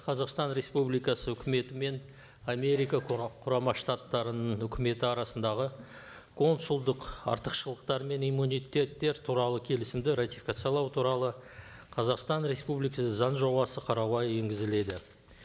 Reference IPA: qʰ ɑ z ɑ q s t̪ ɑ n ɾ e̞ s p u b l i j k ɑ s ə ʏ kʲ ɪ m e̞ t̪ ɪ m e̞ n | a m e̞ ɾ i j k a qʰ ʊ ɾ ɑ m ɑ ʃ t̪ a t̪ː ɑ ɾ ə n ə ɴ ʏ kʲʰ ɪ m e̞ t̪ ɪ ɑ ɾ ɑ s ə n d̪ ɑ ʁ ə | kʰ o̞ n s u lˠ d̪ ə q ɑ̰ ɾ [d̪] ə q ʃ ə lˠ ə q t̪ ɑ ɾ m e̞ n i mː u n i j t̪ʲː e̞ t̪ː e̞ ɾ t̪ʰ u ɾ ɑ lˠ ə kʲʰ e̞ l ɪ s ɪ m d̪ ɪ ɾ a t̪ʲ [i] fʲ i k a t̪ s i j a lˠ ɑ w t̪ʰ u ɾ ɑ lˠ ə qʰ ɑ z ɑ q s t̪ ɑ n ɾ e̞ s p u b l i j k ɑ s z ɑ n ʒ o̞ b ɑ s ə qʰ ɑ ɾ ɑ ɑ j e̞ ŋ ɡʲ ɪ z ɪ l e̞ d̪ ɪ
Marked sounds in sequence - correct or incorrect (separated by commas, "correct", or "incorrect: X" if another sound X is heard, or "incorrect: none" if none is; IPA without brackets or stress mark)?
incorrect: t̪, correct